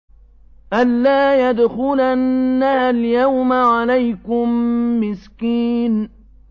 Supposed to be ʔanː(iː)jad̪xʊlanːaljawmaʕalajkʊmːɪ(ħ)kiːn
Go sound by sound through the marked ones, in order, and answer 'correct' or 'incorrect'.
incorrect, incorrect

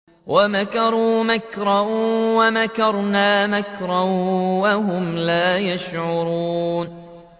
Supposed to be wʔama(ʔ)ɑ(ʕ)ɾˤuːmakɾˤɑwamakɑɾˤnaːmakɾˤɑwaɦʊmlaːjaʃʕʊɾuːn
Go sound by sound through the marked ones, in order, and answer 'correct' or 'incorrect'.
incorrect, incorrect

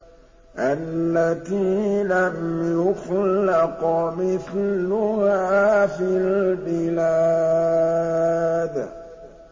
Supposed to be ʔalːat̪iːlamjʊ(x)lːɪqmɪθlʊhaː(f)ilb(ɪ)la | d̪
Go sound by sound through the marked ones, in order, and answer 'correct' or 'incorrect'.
correct, correct, correct

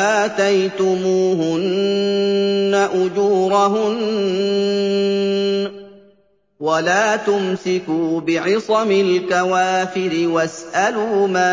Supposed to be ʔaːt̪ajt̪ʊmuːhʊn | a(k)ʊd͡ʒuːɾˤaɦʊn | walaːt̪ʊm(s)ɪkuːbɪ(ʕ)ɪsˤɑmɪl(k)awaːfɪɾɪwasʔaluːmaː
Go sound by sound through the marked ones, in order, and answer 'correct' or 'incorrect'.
incorrect, correct, correct, correct

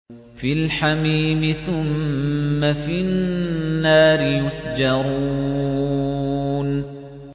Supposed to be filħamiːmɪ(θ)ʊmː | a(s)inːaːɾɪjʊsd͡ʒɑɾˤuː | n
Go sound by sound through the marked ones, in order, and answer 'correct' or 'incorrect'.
correct, incorrect

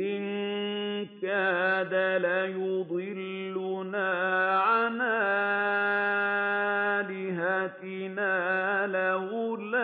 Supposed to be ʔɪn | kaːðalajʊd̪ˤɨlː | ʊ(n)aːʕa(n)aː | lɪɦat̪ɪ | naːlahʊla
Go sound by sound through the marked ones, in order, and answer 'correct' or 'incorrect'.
correct, correct

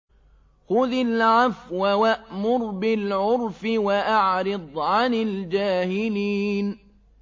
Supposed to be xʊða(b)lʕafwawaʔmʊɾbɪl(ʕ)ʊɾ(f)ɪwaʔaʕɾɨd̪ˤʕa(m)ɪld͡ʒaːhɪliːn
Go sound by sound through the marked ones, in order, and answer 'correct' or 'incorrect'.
incorrect, correct, correct, incorrect

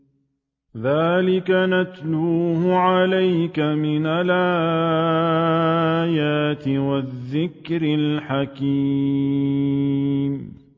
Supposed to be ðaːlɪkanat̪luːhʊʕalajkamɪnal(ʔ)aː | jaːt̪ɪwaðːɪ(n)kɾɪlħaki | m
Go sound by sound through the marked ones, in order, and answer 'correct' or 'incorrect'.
correct, incorrect

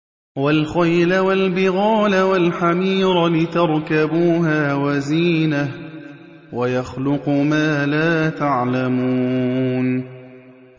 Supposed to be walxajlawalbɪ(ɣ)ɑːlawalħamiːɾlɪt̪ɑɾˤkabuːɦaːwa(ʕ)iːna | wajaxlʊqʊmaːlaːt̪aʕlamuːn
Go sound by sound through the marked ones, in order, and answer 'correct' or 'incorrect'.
correct, incorrect

